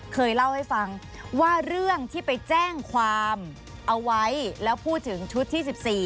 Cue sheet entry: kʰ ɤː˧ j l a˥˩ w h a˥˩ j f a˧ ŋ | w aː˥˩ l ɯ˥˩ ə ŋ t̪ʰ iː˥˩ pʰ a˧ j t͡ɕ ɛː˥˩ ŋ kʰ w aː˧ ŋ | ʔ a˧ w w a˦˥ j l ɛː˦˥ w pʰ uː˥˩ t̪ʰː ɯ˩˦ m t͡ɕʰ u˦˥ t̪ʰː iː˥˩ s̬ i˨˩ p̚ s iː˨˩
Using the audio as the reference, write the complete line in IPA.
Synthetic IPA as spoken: kʰ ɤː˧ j l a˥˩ w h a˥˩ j f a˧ ŋ | w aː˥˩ ɾ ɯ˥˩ ə ŋ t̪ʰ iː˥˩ p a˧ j t͡ɕ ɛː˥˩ ŋ kʰ w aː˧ m | ʔ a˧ w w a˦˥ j l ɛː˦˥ w pʰ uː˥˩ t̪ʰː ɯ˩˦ ŋ t͡ɕʰ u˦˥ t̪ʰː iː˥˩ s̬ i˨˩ p̚ s iː˨˩